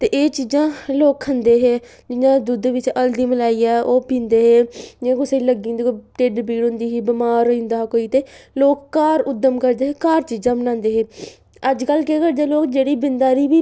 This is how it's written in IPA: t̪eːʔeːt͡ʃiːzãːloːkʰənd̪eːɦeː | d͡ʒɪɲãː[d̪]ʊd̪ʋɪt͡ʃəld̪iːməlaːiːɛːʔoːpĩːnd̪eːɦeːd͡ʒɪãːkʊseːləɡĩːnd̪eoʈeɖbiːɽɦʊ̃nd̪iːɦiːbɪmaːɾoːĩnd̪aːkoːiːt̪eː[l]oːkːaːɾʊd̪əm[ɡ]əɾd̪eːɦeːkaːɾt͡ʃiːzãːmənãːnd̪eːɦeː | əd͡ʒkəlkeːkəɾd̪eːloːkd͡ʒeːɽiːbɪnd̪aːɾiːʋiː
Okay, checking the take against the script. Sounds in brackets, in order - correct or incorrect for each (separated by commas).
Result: correct, correct, incorrect